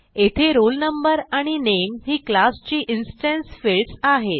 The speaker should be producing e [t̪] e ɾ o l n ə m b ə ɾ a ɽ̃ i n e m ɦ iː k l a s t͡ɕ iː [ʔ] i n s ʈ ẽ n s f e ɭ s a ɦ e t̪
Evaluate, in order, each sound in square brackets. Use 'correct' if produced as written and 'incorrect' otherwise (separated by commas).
incorrect, correct